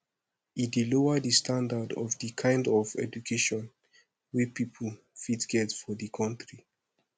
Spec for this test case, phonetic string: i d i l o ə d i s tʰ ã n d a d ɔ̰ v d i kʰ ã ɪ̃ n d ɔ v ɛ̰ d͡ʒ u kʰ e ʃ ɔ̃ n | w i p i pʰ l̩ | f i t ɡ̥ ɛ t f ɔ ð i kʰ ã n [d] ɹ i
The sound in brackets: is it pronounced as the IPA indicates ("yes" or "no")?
no